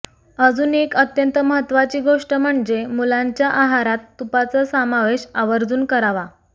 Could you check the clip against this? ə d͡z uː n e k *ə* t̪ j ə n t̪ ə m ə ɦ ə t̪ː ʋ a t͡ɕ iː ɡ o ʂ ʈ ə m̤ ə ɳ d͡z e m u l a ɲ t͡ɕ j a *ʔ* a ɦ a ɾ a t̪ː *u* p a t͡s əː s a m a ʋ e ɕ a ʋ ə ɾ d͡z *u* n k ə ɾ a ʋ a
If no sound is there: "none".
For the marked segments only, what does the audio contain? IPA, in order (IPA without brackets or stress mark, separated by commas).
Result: ə, ʔ, u, uː